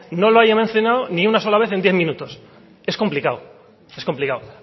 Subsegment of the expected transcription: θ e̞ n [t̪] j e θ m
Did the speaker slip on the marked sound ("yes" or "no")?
yes